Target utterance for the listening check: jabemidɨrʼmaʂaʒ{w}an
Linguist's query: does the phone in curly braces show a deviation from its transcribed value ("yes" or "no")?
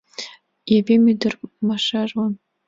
no